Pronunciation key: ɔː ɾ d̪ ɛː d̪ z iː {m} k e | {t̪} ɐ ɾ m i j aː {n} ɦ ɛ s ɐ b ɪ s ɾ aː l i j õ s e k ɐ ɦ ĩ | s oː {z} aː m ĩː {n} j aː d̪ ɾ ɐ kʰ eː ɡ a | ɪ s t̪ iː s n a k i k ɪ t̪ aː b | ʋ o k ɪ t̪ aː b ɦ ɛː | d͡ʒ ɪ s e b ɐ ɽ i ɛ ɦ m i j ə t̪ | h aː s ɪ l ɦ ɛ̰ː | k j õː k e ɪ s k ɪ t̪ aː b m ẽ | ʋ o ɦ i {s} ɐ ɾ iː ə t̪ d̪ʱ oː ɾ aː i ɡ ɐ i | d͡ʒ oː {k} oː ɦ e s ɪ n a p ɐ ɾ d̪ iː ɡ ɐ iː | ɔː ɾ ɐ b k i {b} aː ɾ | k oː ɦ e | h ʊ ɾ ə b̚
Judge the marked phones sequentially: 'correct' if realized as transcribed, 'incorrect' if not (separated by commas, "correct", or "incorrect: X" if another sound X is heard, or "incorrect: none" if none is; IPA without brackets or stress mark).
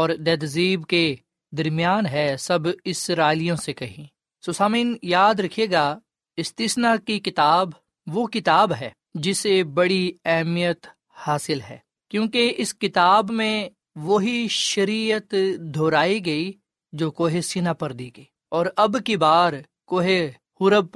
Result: incorrect: b, incorrect: d̪, correct, incorrect: s, correct, incorrect: ʃ, correct, correct